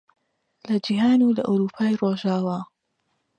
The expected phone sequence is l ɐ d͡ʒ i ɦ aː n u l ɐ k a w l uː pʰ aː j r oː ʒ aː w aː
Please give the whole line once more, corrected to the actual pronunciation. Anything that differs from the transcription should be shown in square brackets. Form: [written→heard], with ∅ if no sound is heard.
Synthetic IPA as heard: l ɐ d͡ʒ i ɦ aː n u l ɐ [k→ʔ] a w [l→ɾ] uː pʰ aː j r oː ʒ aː w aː